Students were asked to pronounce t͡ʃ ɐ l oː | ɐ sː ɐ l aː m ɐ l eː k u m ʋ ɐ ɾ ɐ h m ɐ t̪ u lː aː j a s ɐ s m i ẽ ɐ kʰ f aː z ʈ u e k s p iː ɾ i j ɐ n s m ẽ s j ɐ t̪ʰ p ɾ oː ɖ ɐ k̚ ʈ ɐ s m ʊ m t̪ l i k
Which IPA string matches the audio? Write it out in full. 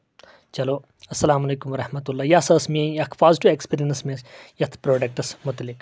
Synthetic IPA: t͡ʃ ɐ l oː | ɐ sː ɐ l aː m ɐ l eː k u m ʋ ɐ ɾ ɐ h m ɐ t̪ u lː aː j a s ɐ s m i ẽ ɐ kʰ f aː z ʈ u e k s p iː ɾ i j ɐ n s m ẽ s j ɐ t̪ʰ p ɾ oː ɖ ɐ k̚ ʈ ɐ s m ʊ t̪ l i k